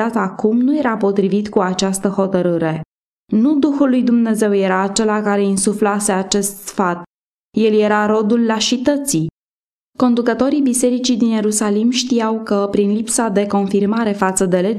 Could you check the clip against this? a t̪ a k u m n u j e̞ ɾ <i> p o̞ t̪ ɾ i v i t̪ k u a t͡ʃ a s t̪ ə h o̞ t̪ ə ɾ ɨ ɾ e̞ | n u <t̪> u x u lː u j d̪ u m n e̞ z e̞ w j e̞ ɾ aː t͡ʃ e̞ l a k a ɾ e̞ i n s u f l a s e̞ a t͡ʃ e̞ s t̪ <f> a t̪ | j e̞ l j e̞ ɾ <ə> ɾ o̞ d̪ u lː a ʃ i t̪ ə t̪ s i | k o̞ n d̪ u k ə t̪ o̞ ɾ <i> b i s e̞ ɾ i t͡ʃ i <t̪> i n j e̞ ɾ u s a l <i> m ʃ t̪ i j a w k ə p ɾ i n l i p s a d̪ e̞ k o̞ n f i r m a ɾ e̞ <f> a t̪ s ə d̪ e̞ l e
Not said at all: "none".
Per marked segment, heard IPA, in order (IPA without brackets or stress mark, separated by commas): a, d̪, f, a, i, d̪, i, f